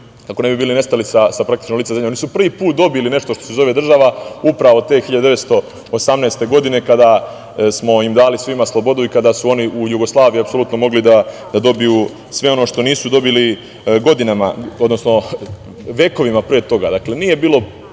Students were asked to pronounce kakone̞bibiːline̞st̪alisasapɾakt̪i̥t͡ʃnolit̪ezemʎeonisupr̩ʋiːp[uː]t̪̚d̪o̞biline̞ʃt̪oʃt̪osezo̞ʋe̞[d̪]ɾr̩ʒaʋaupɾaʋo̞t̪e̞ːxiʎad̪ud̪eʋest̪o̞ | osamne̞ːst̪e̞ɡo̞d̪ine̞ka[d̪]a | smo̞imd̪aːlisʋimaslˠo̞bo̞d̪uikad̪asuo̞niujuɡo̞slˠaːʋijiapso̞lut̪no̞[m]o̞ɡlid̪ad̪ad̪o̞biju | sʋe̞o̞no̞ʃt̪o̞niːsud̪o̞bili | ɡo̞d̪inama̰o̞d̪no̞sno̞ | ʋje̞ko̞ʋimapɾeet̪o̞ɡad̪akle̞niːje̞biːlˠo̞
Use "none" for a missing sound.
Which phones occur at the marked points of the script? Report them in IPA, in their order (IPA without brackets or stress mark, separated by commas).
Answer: uː, d̪, d̪, m